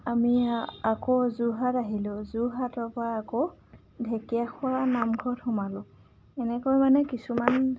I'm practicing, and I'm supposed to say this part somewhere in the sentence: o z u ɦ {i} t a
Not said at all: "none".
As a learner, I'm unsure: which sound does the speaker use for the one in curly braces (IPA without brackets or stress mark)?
a